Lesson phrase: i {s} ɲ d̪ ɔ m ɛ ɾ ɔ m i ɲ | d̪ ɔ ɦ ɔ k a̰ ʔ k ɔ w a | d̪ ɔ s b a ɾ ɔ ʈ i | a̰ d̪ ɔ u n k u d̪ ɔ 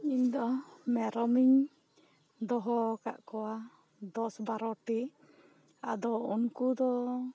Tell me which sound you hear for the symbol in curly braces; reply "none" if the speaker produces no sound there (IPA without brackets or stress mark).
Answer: none